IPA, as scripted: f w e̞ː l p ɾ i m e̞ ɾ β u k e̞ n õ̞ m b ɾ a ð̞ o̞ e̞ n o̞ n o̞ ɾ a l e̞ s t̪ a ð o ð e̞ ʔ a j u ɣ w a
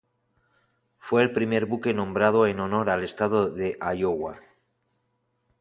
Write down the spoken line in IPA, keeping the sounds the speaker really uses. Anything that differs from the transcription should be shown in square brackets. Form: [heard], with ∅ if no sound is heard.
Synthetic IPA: f w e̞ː l p ɾ i m e̞ ɾ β u k e̞ n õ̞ m b ɾ a ð̞ o̞ e̞ n o̞ n o̞ ɾ a l e̞ s t̪ a ð o ð e̞ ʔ a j [o] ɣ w a